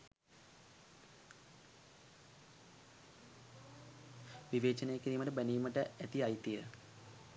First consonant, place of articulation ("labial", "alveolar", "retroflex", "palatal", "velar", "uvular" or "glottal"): labial